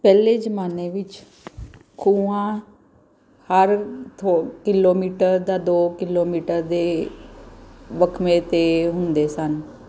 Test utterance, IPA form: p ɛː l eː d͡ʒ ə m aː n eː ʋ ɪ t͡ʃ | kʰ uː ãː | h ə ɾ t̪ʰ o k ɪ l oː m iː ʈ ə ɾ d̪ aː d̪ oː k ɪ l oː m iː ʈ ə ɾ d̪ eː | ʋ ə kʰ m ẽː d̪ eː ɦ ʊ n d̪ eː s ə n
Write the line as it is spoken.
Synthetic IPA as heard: p ɛː l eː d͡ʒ ə m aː n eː ʋ ɪ t͡ʃ | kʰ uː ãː | h ə ɾ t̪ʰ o k ɪ l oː m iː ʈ ə ɾ d̪ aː d̪ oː k ɪ l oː m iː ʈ ə ɾ d̪ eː | ʋ ə kʰ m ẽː t̪ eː ɦ ʊ n d̪ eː s ə n